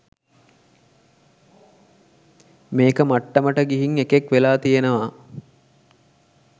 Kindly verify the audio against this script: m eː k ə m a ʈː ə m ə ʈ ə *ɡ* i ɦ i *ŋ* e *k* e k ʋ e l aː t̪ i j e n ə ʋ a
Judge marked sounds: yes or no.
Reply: yes, yes, yes

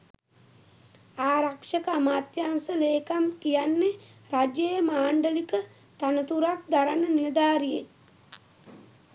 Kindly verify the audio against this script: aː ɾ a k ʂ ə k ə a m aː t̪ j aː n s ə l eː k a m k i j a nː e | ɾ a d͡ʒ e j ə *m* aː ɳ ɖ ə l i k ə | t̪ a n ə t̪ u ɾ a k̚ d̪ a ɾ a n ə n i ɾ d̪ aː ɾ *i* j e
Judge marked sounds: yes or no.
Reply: yes, yes

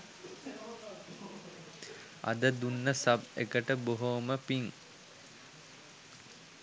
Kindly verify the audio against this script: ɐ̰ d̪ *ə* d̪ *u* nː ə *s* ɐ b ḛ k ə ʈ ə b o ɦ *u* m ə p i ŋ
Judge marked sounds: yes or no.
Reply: yes, yes, yes, no

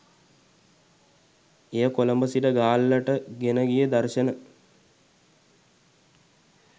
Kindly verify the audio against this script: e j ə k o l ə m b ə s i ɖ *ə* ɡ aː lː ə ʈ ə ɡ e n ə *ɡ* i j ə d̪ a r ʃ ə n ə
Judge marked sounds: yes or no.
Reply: yes, yes

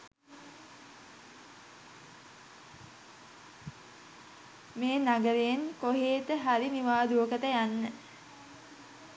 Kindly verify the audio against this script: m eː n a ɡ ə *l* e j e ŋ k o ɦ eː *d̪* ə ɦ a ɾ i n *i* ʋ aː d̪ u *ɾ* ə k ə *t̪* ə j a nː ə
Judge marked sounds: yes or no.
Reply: no, no, yes, no, yes

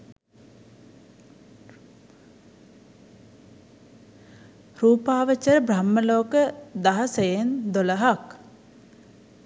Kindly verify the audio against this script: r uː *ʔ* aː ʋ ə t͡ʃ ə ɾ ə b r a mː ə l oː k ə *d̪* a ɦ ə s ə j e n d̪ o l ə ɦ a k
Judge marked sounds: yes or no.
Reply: no, yes

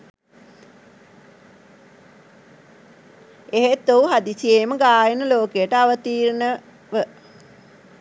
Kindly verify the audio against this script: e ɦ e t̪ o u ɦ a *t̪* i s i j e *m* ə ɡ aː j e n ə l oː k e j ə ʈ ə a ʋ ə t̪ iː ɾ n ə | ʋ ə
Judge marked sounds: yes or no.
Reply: no, yes

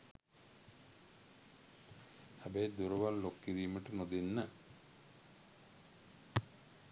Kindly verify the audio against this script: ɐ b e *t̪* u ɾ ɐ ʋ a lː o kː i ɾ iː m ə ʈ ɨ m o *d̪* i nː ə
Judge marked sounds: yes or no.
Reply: no, yes

